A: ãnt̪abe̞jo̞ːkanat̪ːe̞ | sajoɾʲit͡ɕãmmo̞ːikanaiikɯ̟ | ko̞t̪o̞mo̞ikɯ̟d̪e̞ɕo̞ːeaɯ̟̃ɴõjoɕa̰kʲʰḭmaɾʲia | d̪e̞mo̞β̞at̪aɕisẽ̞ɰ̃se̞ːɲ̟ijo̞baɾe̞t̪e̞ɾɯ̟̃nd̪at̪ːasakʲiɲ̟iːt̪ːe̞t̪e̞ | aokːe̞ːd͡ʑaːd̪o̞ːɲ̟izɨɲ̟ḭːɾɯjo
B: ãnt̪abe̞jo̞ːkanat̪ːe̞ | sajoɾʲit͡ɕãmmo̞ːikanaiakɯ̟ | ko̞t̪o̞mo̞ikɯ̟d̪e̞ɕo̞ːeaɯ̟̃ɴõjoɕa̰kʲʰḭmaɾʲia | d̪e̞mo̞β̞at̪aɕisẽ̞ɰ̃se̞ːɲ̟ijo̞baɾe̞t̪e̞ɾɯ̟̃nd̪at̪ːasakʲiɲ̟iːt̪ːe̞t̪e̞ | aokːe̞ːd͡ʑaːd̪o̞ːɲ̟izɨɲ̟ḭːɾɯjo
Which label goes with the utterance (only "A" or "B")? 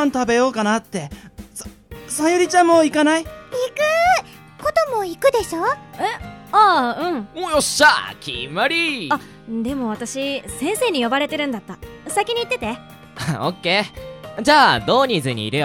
A